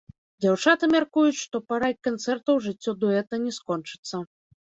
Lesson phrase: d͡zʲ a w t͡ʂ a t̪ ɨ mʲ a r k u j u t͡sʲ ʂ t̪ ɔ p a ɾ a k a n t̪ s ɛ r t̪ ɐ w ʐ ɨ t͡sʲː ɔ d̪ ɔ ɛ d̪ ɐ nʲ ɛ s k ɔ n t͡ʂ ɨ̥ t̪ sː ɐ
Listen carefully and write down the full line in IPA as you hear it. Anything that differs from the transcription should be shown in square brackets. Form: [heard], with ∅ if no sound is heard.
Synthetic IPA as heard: d͡zʲ a w t͡ʂ a t̪ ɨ mʲ a r k u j u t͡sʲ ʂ t̪ ɔ p a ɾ a k a n t̪ s ɛ r t̪ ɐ w ʐ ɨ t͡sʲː ɔ d̪ ɔ ɛ [t̪] ɐ nʲ ɛ s k ɔ n t͡ʂ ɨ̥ t̪ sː ɐ